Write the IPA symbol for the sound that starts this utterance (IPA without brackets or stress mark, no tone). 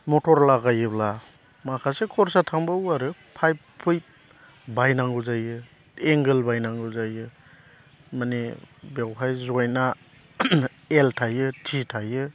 m